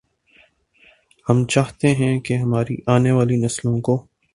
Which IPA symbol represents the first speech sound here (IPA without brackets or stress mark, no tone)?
h